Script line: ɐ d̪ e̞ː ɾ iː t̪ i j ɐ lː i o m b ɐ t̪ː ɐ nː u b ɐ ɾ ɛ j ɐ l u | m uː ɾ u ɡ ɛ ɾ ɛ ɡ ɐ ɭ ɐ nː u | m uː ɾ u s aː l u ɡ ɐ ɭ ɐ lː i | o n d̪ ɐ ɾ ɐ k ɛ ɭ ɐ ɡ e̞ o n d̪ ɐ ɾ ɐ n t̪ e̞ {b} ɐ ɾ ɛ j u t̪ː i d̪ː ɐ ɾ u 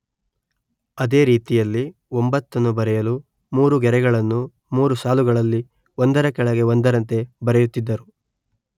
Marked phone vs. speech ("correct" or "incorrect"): correct